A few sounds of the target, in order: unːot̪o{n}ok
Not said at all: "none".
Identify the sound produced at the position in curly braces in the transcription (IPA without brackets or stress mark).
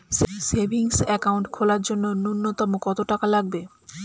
m